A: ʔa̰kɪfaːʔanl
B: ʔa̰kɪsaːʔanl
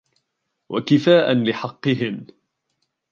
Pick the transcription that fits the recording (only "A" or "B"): A